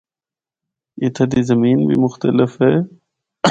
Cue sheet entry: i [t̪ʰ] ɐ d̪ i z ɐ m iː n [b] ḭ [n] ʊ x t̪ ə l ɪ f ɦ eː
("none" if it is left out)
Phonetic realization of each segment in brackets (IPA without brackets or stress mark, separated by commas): t̪ʰ, b, m